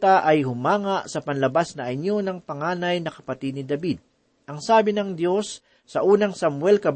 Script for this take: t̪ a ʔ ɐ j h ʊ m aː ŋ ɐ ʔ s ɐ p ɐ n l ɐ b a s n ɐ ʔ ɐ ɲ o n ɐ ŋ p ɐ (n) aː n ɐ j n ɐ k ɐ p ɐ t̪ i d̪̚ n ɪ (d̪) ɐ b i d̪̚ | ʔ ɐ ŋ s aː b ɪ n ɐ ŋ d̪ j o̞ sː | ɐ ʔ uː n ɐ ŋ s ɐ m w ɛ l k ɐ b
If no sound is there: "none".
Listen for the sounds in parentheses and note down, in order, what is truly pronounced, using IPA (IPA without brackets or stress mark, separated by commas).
ŋ, d̪